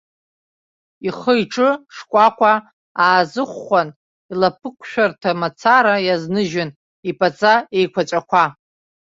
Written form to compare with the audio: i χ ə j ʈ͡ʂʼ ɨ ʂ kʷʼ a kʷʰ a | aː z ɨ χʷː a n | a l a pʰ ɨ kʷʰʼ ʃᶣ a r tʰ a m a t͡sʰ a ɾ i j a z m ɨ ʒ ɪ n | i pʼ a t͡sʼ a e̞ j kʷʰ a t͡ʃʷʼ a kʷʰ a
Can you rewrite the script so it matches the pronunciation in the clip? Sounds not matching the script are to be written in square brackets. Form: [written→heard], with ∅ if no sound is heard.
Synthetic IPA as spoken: i χ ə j ʈ͡ʂʼ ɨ ʂ kʷʼ a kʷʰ a | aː z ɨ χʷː a n | [a→i] l a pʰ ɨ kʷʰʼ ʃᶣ a r tʰ a m a t͡sʰ a ɾ [i→a] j a z [m→n] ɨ ʒ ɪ n | i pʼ a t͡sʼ a e̞ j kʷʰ a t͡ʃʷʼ a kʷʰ a